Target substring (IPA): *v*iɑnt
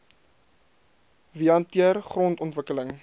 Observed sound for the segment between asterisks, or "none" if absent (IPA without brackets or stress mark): v